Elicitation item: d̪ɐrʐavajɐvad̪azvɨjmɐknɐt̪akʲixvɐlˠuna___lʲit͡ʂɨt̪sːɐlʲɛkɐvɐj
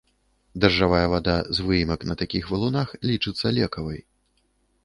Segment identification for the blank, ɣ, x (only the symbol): x